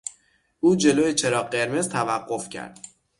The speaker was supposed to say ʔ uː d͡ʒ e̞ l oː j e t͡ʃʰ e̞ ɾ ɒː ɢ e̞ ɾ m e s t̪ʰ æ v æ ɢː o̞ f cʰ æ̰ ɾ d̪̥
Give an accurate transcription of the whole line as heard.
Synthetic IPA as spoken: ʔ uː d͡ʒ e̞ l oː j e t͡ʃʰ e̞ ɾ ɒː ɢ e̞ ɾ m e z t̪ʰ æ v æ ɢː o̞ f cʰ æ̰ ɾ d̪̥

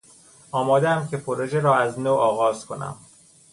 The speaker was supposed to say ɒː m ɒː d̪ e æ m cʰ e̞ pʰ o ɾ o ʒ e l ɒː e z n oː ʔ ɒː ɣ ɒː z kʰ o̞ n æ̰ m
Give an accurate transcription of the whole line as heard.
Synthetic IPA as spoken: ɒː m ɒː d̪ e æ m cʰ e̞ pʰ o ɾ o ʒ e ɾ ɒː æ z n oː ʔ ɒː ɣ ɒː z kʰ o̞ n æ̰ m

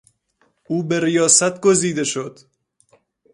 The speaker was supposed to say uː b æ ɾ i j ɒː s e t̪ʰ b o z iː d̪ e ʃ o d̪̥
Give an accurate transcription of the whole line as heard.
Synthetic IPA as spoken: uː b e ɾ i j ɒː s æ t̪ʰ ɡ o z iː d̪ e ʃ o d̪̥

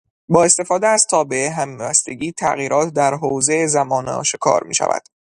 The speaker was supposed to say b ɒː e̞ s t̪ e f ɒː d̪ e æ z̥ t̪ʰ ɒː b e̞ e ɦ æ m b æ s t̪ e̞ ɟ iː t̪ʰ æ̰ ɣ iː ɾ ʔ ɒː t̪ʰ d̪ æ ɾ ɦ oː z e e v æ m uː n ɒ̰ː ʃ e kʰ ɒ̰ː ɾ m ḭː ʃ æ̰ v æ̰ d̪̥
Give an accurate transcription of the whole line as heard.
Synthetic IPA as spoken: b ɒː e̞ s t̪ e f ɒː d̪ e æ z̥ t̪ʰ ɒː b e̞ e ɦ æ m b æ s t̪ e̞ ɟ iː t̪ʰ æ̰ ɣ iː ɾ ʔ ɒː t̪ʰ d̪ æ ɾ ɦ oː z e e z æ m ɒː n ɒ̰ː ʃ e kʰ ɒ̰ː ɾ m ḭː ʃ æ̰ v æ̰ d̪̥

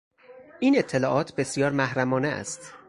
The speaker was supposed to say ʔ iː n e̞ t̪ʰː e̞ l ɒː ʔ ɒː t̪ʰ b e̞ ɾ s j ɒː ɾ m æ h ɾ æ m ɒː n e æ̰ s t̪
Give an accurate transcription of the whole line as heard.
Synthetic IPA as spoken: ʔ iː n e̞ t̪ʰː e̞ l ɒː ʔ ɒː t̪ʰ b e̞ s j ɒː ɾ m æ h ɾ æ m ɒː n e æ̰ s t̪

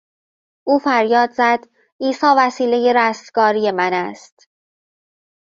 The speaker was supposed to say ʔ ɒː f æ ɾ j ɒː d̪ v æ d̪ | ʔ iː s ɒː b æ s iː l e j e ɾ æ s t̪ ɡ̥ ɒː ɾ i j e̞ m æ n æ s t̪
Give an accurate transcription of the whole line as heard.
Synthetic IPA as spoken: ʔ uː f æ ɾ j ɒː d̪ z æ d̪ | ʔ iː s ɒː v æ s iː l e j e ɾ æ s t̪ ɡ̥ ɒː ɾ i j e̞ m æ n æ s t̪

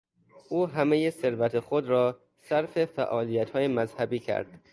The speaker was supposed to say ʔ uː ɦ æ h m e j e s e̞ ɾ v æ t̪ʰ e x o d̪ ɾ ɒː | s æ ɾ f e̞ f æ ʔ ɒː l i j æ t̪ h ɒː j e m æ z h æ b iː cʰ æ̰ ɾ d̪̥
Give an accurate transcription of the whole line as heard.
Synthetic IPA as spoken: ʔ uː ɦ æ m e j e s e̞ ɾ v æ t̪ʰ e x o d̪ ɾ ɒː | s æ ɾ f e̞ f æ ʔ ɒː l i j æ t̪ h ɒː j e m æ z h æ b iː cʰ æ̰ ɾ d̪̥

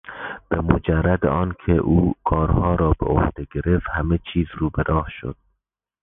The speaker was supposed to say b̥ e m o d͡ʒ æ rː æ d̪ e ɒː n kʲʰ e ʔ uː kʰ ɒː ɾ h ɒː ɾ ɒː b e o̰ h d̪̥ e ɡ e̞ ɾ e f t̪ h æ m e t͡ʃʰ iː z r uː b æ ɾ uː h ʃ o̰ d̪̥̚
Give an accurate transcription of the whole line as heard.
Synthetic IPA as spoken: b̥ e m o d͡ʒ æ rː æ d̪ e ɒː n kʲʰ e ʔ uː kʰ ɒː ɾ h ɒː ɾ ɒː b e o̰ h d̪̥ e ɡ e̞ ɾ e f t̪ h æ m e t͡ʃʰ iː z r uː b e ɾ ɒː h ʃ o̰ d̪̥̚

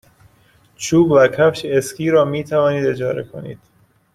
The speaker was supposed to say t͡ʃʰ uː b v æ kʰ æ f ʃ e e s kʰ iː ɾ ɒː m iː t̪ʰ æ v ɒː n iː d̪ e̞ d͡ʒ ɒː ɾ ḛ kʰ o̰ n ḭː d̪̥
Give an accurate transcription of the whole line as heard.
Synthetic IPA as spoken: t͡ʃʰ uː b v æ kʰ æ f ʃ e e s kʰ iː ɾ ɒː m iː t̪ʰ æ v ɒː n iː d̪ e̞ d͡ʒ ɒː ɾ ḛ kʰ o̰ n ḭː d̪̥

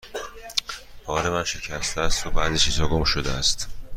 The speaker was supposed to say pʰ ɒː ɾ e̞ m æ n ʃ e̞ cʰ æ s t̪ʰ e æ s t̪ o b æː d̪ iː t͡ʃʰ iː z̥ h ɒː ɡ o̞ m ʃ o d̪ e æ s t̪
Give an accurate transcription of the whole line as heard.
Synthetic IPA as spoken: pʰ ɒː ɾ e̞ m æ n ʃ e̞ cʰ æ s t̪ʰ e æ s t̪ o b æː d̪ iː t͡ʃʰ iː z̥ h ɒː ɡ o̞ m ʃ o d̪ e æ s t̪

